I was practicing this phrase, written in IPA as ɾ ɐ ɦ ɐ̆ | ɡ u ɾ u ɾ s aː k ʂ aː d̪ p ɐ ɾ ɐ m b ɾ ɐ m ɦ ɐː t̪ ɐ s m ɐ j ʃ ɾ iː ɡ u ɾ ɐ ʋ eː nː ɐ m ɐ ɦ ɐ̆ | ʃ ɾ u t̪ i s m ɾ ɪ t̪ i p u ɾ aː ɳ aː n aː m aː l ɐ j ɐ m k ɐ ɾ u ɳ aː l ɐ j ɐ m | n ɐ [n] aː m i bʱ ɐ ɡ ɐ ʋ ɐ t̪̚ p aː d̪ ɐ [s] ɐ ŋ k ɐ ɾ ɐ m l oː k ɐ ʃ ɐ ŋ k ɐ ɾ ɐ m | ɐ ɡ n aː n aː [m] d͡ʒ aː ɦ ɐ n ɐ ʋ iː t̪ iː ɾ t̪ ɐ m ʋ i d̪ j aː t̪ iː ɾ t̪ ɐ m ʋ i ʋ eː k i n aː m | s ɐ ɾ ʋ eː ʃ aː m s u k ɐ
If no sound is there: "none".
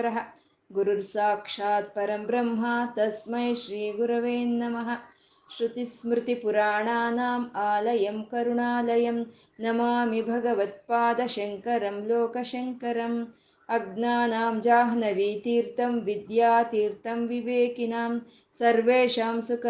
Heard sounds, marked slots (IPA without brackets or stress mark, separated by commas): m, ʃ, m